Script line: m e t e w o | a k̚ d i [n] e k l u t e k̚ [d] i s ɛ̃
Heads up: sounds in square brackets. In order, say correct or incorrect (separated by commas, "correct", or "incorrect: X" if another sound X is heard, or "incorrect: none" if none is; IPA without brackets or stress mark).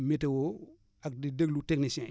incorrect: d, incorrect: n